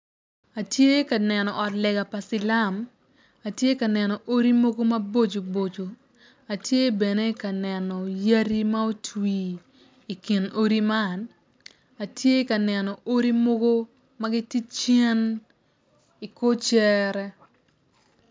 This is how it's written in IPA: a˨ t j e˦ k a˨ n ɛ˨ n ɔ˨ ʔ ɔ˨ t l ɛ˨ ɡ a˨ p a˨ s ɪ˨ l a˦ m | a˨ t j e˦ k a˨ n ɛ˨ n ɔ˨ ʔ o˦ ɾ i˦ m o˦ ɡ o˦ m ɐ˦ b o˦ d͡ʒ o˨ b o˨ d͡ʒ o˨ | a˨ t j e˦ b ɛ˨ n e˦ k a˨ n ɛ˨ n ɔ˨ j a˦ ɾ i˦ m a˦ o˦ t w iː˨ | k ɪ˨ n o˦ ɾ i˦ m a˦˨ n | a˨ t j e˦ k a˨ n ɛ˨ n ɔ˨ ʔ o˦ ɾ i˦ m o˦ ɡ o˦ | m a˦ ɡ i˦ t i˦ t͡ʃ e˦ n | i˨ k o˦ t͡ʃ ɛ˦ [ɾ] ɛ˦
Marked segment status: correct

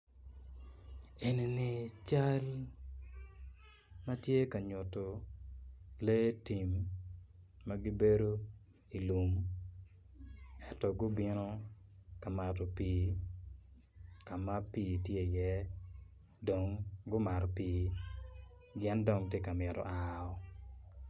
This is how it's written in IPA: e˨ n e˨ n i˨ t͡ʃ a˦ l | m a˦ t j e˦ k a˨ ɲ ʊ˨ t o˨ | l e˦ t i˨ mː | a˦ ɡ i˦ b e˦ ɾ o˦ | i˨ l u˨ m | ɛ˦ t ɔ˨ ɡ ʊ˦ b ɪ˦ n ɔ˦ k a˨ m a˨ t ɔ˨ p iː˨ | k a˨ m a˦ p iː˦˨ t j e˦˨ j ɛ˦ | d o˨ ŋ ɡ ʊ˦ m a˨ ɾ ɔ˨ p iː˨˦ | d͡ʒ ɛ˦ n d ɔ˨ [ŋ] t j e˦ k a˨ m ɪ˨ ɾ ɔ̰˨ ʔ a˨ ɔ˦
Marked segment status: correct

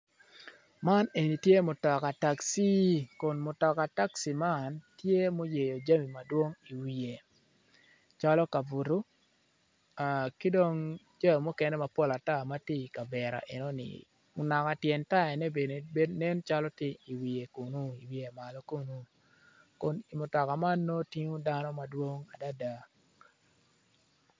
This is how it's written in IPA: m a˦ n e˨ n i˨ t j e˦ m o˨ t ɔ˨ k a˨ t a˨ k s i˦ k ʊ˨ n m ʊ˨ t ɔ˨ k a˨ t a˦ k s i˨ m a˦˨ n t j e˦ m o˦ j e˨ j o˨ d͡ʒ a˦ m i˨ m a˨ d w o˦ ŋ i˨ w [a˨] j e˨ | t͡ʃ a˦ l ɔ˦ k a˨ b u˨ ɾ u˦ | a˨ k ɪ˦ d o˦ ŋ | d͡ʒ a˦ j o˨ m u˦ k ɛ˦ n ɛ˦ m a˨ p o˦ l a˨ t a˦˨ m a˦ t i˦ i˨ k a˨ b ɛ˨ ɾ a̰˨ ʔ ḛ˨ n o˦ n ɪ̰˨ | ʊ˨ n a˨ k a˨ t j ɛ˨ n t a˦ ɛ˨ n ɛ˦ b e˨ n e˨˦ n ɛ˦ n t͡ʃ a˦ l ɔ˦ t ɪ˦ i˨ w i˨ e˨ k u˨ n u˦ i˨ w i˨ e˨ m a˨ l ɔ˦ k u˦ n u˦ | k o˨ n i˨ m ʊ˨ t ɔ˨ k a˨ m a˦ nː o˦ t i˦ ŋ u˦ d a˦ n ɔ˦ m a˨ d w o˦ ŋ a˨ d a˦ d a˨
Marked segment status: incorrect: i˨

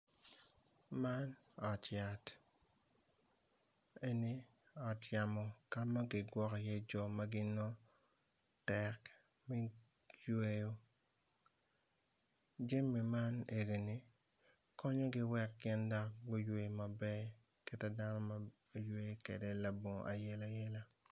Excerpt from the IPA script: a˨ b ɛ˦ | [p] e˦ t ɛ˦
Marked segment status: incorrect: k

